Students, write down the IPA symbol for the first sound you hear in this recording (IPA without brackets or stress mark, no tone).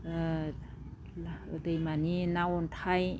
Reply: d